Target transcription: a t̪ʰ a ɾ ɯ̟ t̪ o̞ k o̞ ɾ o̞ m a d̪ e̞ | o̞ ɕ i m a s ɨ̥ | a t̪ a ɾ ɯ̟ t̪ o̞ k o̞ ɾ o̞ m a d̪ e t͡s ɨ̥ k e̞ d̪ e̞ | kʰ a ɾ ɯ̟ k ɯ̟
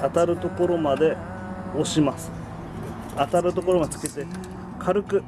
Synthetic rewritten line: a t̪ a ɾ ɯ̟ t̪ o̞ k o̞ ɾ o̞ m a d̪ e̞ | o̞ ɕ i m a s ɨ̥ | a t̪ a ɾ ɯ̟ t̪ o̞ k o̞ ɾ o̞ m a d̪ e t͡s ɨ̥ k e̞ t̪ e̞ | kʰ a ɾ ɯ̟ k ɯ̟

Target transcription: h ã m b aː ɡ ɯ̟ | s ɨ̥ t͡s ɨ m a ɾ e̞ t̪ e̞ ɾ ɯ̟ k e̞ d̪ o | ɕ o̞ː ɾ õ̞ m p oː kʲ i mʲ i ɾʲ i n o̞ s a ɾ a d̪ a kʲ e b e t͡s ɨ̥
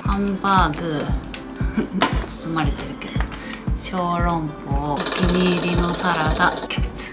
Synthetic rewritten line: h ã m b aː ɡ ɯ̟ | t͡s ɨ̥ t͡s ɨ m a ɾ e̞ t̪ e̞ ɾ ɯ̟ k e̞ d̪ o | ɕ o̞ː ɾ õ̞ m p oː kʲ i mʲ i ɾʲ i n o̞ s a ɾ a d̪ a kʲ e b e t͡s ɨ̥

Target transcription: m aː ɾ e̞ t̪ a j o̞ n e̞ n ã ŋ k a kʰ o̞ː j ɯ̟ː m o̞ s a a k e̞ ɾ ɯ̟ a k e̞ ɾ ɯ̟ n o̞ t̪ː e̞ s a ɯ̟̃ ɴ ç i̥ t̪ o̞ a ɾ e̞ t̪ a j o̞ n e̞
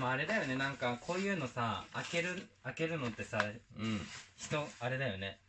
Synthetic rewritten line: m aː ɾ e̞ d̪ a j o̞ n e̞ n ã ŋ k a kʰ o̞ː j ɯ̟ː n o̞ s a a k e̞ ɾ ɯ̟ a k e̞ ɾ ɯ̟ n o̞ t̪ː e̞ s a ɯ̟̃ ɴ ç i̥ t̪ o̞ a ɾ e̞ d̪ a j o̞ n e̞

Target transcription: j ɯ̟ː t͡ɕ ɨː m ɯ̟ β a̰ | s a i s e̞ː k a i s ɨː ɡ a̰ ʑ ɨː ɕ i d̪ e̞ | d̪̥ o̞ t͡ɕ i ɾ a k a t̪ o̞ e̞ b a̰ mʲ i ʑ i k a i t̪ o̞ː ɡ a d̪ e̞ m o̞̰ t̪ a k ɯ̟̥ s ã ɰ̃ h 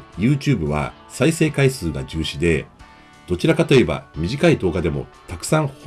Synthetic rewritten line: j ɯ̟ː t͡ɕ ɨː b ɯ̟ β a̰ | s a i s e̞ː k a i s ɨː ɡ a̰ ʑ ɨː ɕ i d̪ e̞ | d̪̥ o̞ t͡ɕ i ɾ a k a t̪ o̞ e̞ b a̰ mʲ i ʑ i k a i d̪ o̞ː ɡ a d̪ e̞ m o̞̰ t̪ a k ɯ̟̥ s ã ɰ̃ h

